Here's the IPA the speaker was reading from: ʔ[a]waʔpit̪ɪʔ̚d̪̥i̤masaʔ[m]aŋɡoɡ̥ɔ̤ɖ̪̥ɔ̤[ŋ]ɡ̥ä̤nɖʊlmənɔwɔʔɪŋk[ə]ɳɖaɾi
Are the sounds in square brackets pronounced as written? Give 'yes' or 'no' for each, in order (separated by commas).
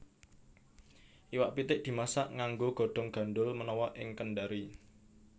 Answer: no, no, yes, yes